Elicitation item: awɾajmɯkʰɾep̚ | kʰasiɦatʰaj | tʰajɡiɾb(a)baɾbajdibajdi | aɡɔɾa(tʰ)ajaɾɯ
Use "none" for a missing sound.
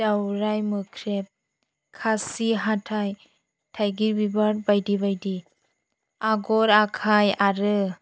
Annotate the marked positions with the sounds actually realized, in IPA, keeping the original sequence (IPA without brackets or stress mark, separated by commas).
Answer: i, kʰ